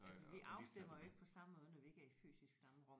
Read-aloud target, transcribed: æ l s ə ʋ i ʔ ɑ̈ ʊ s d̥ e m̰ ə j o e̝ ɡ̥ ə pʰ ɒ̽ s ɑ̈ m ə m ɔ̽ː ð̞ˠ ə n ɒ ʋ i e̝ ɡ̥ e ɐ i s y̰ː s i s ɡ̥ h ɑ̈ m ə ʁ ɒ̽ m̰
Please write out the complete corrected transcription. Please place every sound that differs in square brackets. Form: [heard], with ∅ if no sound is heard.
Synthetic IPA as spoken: æ l s ə ʋ i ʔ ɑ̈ ʊ s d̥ e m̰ [ɐ] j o e̝ ɡ̥ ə pʰ ɒ̽ s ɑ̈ m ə m ɔ̽ː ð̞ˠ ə n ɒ ʋ i e̝ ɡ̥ [æ] ɐ i [f] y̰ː s i s ɡ̥ [s] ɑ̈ m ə ʁ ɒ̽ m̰

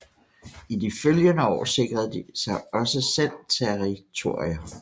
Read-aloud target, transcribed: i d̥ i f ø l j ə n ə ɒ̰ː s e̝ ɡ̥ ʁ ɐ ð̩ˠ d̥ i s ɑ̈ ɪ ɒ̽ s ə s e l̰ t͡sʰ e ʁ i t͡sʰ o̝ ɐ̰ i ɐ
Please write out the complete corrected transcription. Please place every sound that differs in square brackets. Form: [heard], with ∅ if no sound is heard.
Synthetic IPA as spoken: i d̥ i f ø l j ə n ə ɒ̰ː s e̝ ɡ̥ ʁ ɐ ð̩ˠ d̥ i s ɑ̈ ɪ ɒ̽ s ə s e l̰ t͡sʰ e ʁ i t͡sʰ o̝ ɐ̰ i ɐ

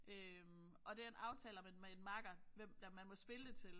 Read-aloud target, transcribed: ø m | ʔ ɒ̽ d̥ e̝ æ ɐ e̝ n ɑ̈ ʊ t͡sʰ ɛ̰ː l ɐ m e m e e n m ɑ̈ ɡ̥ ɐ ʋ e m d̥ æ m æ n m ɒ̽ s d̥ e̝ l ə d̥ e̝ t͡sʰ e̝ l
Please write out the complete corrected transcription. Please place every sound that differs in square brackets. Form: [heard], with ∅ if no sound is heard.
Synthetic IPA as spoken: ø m | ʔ ɒ̽ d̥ e̝ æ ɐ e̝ n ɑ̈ ʊ t͡sʰ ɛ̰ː l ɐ m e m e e n m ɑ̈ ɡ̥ ɐ ʋ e m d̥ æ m æ n m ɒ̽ s [b̥] e̝ l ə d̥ e̝ t͡sʰ e̝ l

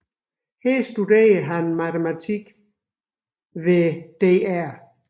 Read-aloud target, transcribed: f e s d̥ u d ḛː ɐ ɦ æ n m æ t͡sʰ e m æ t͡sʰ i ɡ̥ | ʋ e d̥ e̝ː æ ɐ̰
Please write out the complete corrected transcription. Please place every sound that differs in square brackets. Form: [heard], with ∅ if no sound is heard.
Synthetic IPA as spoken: [h] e s d̥ u d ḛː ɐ ɦ æ n m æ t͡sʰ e m æ t͡sʰ i ɡ̥ | ʋ e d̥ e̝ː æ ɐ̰

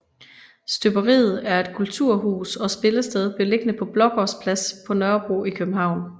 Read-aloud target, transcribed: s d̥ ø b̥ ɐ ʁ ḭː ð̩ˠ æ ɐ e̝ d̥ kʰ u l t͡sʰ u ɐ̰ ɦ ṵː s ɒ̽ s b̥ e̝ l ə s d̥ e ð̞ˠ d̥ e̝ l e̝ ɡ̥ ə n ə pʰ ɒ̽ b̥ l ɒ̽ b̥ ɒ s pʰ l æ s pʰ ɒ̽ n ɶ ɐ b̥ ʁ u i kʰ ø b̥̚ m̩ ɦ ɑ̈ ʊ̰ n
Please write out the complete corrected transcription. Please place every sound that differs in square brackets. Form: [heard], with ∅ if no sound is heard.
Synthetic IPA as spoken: s d̥ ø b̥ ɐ ʁ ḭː ð̩ˠ æ ɐ e̝ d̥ kʰ u l t͡sʰ u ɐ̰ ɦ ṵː s ɒ̽ s b̥ e̝ l ə s d̥ e ð̞ˠ [b̥] e̝ l e̝ ɡ̥ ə n ə pʰ ɒ̽ b̥ l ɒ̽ [ɡ̥] ɒ s pʰ l æ s pʰ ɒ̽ n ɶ ɐ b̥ ʁ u i kʰ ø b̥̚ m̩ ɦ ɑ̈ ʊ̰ n

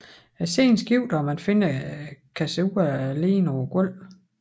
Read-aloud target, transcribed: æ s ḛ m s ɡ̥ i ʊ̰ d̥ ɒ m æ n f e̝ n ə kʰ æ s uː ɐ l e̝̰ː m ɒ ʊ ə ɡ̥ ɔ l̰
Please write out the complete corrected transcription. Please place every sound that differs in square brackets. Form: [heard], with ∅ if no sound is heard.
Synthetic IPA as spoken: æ s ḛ [n] s ɡ̥ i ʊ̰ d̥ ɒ m æ n f e̝ n ə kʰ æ s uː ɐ l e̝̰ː [n] ɒ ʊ [ɐ] ɡ̥ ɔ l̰

